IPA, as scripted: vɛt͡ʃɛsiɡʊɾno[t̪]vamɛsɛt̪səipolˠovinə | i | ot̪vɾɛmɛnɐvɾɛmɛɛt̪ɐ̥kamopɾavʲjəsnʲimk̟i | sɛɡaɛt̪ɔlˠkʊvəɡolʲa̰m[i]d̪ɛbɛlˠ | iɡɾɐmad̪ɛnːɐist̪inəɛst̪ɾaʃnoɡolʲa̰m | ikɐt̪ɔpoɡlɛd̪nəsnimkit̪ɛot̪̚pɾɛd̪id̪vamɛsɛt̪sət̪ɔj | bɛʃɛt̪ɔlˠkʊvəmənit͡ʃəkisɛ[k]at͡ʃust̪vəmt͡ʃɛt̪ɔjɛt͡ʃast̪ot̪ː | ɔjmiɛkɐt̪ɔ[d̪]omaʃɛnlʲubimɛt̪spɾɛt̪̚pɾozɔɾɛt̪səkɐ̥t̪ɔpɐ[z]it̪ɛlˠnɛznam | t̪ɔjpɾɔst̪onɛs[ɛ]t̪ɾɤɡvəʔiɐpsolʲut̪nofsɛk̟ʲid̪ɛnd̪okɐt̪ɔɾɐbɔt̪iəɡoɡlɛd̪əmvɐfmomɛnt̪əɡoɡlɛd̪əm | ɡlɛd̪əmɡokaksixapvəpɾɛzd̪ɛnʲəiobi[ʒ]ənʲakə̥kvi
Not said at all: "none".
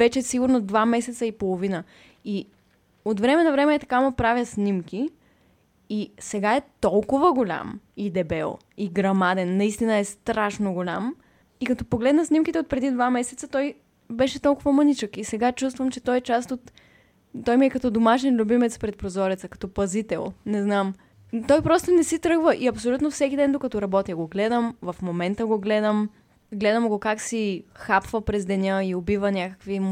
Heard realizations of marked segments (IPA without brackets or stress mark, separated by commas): d̪, i, ɡ, d̪, z, i, v